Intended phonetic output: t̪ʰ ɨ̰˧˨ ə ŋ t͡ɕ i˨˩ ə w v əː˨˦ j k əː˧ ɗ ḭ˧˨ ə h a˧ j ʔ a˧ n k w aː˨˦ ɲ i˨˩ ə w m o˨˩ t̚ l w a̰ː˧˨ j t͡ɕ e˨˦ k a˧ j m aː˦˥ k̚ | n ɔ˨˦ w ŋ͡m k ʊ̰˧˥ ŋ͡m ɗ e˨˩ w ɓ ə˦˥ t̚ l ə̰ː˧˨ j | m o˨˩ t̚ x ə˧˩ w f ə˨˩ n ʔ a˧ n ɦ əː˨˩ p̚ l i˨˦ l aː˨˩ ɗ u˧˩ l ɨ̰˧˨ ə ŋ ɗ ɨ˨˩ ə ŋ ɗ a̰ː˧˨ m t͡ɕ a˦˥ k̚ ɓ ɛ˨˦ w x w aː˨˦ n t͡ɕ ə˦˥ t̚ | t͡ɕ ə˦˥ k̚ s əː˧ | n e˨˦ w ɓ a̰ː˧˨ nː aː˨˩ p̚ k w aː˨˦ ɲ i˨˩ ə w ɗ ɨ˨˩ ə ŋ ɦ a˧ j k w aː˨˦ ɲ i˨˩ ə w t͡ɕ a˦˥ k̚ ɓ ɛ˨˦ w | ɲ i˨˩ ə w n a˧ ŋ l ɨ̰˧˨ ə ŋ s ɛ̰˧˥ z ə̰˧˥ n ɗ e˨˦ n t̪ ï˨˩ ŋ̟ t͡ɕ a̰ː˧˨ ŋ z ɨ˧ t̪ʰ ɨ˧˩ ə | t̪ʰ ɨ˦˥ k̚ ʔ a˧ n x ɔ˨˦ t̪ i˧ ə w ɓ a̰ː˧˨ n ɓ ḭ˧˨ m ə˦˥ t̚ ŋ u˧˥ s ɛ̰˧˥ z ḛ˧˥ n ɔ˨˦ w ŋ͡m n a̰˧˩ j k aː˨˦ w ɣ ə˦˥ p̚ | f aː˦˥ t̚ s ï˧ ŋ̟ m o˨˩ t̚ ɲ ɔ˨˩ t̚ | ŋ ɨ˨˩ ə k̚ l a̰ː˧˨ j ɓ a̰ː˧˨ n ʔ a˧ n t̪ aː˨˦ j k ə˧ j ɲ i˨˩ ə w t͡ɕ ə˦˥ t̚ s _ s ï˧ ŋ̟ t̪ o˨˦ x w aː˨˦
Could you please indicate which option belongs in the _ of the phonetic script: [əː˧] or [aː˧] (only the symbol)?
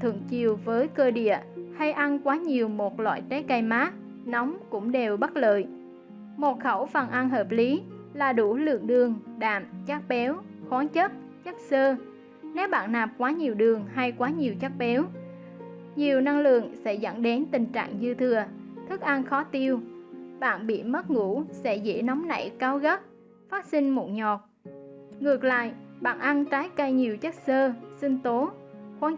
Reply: əː˧